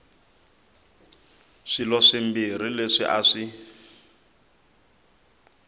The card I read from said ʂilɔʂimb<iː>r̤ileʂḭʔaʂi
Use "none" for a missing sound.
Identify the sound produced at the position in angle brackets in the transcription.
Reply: i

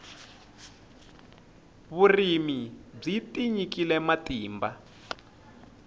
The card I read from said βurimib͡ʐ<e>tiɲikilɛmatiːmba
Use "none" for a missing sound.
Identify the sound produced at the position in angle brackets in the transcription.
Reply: i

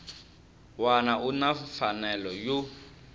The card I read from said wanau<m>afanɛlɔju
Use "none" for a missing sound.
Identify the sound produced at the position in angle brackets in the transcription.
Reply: n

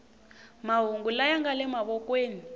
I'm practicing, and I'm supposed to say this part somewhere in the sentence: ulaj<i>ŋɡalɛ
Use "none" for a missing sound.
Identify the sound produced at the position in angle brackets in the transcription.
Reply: a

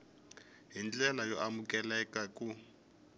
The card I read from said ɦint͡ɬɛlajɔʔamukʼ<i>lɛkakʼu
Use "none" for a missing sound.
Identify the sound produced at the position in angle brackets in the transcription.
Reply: ɛ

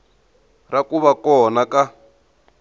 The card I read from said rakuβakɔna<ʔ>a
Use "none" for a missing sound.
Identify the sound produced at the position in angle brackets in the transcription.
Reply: k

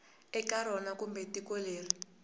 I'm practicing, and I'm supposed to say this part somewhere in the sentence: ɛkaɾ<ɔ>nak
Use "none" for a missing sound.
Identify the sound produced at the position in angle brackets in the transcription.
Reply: ɔ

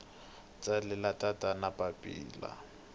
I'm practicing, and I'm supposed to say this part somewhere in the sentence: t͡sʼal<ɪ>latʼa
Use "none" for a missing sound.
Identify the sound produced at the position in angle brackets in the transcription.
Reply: ɪ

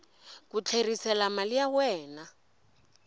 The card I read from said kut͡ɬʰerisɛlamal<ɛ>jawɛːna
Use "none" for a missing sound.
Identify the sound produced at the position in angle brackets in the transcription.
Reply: i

